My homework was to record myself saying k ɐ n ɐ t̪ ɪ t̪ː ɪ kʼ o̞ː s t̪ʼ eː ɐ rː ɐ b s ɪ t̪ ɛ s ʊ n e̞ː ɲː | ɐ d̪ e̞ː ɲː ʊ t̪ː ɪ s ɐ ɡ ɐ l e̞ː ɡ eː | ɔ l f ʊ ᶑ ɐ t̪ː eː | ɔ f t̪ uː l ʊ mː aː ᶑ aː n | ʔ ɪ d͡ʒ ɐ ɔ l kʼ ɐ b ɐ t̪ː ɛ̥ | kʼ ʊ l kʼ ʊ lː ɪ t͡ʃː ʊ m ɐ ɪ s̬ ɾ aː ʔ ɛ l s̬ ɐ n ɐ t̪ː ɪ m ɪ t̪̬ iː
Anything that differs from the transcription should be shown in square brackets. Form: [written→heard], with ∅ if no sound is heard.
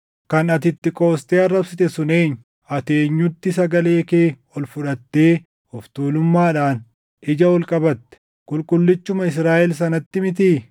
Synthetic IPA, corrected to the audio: k ɐ n ɐ t̪ ɪ t̪ː ɪ kʼ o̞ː s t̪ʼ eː ɐ rː ɐ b s ɪ t̪ ɛ s ʊ n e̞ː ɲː | ɐ [d̪→t̪] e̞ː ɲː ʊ t̪ː ɪ s ɐ ɡ ɐ l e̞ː [ɡ→k] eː | ɔ l f ʊ ᶑ ɐ t̪ː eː | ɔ f t̪ uː l ʊ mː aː ᶑ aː n | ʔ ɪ d͡ʒ ɐ ɔ l kʼ ɐ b ɐ t̪ː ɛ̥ | kʼ ʊ l kʼ ʊ lː ɪ t͡ʃː ʊ m ɐ ɪ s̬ ɾ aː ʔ ɛ l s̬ ɐ n ɐ t̪ː ɪ m ɪ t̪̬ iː